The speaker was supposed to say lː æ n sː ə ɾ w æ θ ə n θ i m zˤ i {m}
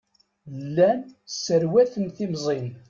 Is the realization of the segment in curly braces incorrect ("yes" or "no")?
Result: yes